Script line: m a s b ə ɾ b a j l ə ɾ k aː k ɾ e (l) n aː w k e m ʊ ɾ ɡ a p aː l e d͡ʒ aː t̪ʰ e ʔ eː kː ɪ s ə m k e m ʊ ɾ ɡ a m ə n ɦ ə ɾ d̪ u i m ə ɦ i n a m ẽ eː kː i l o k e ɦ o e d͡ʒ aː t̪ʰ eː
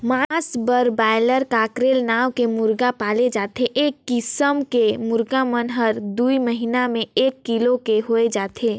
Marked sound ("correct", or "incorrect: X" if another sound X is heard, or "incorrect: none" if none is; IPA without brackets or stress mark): correct